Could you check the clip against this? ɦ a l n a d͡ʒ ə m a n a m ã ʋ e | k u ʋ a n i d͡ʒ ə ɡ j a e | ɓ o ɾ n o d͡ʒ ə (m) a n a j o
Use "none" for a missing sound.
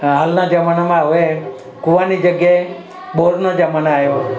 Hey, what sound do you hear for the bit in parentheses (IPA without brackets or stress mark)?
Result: m